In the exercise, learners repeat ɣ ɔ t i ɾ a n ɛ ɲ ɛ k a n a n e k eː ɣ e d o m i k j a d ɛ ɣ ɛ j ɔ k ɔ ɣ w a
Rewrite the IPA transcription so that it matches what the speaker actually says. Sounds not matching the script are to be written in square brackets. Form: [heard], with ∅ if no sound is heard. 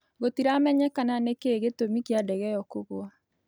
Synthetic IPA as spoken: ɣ [o] t i ɾ a [m] ɛ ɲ ɛ k a n a n e k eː ɣ e [t] o m i k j a d ɛ ɣ ɛ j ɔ k [o] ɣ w a